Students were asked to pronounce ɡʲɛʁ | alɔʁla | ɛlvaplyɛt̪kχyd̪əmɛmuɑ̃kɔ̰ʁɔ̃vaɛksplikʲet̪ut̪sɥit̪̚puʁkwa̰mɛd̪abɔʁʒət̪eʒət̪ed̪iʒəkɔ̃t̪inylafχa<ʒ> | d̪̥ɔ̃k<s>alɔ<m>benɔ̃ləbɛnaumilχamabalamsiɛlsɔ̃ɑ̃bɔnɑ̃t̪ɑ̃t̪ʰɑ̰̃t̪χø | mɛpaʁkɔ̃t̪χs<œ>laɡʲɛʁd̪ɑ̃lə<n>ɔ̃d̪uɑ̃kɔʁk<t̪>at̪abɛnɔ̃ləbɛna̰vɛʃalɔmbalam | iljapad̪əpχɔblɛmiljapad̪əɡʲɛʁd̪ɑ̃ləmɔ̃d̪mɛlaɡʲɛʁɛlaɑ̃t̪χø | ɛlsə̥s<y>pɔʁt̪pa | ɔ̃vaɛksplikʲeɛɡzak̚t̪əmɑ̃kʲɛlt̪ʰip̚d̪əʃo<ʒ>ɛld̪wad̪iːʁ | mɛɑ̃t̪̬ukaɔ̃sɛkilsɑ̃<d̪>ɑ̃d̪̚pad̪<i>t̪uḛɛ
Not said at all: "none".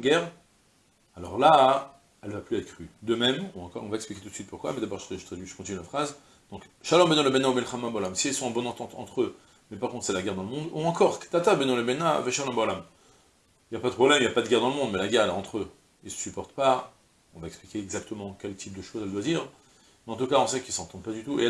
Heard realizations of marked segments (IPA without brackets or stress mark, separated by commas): z, ʃ, m, ɛ, m, t̪, y, z, t̪, y